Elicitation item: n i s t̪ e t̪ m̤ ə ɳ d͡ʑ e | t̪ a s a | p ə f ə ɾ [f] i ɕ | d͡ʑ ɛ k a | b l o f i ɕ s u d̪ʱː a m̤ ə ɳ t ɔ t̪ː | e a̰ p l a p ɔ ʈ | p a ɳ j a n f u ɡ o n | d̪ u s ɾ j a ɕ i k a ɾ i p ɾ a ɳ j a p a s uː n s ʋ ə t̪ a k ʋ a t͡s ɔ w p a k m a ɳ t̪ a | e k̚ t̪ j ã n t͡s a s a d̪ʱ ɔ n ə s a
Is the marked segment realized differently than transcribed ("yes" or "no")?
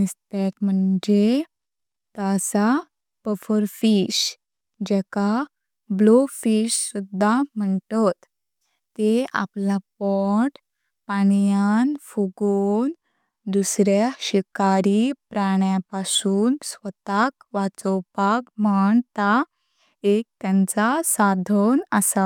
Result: no